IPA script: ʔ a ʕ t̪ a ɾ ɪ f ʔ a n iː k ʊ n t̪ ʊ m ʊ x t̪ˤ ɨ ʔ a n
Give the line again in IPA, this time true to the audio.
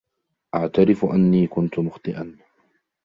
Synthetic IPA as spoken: ʔ a ʕ t̪ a ɾ ɪ f ʔ a nː iː k ʊ n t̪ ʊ m ʊ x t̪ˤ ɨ ʔ a n